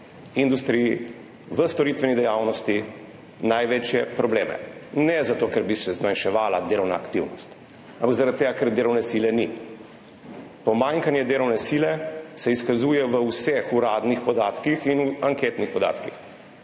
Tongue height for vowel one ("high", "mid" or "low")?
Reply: high